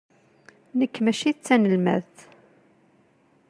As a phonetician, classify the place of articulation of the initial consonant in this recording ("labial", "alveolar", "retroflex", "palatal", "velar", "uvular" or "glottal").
alveolar